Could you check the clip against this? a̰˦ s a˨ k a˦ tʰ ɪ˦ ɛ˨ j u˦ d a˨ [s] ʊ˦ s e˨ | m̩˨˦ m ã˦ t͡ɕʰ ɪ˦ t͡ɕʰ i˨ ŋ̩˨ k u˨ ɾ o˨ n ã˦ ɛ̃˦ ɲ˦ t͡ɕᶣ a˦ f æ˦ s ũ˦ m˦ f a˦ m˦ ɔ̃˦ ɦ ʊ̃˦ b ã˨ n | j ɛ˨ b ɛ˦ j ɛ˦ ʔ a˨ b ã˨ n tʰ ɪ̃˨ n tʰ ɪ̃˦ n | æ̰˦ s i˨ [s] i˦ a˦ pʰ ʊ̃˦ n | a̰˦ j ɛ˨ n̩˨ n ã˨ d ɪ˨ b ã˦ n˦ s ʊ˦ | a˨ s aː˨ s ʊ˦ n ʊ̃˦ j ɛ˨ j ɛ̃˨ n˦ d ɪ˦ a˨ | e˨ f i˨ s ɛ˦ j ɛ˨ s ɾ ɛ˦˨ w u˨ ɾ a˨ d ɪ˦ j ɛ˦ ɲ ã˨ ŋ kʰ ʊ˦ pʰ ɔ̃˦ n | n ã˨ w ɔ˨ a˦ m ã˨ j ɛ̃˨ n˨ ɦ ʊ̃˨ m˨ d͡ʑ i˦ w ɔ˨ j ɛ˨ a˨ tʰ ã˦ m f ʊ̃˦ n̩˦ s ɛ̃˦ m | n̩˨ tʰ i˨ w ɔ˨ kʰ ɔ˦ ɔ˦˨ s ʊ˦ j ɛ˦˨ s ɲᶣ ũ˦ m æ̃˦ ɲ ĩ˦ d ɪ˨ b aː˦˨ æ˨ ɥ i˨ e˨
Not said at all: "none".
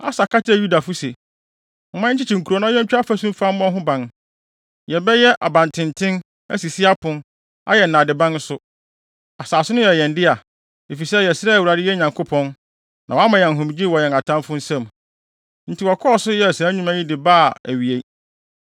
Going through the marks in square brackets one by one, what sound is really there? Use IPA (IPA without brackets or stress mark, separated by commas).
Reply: f, s